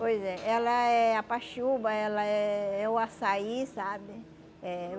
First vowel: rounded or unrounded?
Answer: rounded